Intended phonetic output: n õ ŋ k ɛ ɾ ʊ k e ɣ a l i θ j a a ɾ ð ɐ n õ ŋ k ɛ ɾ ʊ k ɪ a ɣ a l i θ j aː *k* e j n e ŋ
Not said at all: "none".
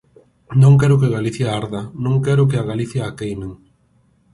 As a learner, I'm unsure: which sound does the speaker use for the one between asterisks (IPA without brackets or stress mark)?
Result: k